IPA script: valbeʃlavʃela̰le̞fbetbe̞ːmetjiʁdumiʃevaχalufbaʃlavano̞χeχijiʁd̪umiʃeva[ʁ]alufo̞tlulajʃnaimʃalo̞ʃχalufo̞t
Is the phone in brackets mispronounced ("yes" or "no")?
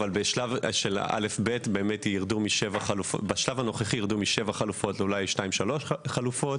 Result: yes